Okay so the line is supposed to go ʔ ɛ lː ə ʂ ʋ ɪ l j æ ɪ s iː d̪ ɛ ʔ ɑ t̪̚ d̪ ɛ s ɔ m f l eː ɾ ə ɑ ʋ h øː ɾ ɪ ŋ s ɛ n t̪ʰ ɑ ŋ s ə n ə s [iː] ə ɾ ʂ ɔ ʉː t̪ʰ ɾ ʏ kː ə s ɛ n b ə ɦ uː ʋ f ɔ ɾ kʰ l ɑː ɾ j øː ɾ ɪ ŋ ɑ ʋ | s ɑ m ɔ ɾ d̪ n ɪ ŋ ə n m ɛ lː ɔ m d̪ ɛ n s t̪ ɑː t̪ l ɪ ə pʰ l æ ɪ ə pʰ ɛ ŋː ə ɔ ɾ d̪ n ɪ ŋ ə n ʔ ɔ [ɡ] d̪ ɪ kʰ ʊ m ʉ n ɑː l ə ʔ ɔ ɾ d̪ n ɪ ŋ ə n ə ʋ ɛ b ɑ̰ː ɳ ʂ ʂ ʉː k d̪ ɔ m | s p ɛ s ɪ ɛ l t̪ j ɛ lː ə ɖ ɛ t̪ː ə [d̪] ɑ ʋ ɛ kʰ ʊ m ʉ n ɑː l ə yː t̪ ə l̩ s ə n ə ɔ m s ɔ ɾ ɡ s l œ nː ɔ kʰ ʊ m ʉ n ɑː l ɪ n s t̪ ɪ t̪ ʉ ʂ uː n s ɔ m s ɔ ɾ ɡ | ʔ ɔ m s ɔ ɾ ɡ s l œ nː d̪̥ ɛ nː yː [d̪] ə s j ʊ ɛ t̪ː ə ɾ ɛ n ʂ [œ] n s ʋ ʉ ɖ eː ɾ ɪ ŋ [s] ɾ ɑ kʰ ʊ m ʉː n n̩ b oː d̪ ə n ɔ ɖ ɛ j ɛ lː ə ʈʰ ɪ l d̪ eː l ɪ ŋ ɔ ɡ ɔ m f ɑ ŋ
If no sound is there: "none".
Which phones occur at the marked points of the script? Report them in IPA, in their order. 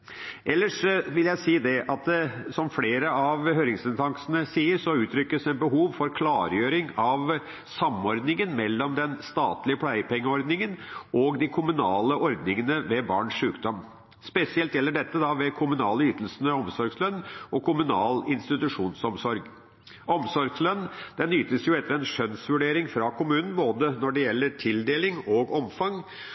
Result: iː, ɡ, d̪, t̪, œ, f

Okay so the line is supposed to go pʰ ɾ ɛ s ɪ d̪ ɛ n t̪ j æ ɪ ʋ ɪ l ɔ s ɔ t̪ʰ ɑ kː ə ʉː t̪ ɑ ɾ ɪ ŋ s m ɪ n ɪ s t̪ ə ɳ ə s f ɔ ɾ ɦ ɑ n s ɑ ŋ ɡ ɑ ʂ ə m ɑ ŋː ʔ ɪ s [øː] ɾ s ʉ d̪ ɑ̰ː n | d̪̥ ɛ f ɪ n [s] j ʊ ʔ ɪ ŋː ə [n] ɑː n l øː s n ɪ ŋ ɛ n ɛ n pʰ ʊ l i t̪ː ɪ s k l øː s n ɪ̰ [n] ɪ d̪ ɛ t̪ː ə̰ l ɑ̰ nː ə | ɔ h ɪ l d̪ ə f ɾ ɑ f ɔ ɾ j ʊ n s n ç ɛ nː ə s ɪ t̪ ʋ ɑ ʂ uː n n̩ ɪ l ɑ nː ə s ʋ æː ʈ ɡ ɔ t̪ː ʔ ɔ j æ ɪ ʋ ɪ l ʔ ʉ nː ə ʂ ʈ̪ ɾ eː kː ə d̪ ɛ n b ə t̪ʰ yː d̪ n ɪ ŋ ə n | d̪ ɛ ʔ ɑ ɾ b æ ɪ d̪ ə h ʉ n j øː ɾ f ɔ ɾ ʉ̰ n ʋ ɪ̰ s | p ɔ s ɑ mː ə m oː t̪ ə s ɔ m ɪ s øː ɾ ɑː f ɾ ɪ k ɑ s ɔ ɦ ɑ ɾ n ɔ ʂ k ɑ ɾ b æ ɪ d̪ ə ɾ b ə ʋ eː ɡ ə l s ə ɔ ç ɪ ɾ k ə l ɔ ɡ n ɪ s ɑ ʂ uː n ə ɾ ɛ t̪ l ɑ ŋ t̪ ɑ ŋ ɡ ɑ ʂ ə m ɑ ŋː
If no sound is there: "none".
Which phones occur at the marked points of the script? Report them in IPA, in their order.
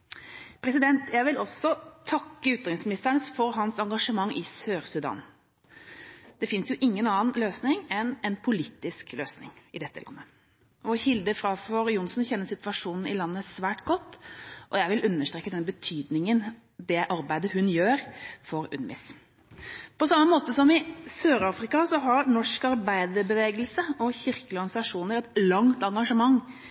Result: øː, s, n, ŋ

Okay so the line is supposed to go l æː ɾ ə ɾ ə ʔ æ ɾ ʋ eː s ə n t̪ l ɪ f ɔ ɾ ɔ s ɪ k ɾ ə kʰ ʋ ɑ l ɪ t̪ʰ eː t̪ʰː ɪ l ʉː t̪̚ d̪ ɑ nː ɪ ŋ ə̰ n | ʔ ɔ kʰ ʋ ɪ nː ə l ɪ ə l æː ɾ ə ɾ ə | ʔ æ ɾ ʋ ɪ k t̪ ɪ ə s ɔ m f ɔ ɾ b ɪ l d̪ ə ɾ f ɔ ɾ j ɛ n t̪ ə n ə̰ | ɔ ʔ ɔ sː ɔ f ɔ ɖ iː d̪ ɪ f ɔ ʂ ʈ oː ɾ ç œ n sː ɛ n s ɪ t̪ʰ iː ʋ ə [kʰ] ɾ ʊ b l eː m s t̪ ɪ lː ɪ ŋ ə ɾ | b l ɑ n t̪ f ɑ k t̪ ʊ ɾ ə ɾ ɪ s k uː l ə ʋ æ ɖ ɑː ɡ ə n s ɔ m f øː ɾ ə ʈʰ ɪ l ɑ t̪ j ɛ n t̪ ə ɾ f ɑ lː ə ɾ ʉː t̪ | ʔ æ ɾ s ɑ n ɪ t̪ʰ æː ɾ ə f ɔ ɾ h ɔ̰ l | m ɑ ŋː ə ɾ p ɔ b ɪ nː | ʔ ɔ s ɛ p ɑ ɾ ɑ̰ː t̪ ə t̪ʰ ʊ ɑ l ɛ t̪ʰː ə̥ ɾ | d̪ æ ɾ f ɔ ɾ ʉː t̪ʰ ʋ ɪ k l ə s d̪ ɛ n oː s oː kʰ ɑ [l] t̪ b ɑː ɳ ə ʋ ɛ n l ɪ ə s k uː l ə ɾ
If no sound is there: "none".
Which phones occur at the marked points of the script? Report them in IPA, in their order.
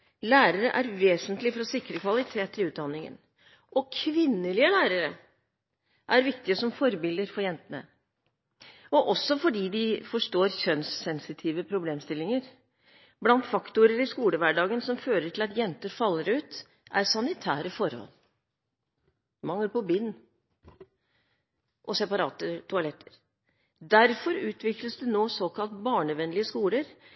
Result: pʰ, l

